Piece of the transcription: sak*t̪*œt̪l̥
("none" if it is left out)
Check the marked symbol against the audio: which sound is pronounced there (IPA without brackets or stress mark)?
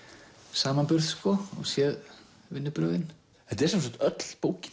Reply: t̪